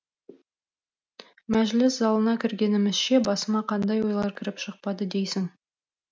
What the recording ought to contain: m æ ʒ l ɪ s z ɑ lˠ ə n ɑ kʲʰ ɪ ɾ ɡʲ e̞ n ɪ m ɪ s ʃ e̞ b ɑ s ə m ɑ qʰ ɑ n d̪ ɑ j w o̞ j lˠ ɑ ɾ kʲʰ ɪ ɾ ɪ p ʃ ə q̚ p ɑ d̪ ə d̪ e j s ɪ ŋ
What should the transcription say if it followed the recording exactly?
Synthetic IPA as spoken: m æ ʒ l ɪ s z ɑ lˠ ə n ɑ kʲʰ ɪ ɾ ɡʲ e̞ n ɪ m ɪ z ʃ e̞ b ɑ s ə m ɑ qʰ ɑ n d̪ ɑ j w o̞ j lˠ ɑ ɾ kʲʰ ɪ ɾ ɪ p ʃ ə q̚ p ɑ d̪ ə d̪ e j s ɪ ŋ